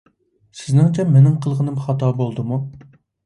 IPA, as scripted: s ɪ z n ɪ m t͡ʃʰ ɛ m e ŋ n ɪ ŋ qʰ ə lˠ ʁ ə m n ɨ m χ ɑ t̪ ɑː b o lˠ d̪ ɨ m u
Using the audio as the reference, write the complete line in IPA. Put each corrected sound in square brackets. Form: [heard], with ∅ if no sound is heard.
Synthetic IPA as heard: s ɪ z n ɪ [ŋ] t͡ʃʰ ɛ m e [∅] n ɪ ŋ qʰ ə lˠ ʁ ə [∅] n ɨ m χ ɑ t̪ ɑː b o lˠ d̪ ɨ m u